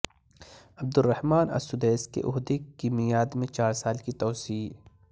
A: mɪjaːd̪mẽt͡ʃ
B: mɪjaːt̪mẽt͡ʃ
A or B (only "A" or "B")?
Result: A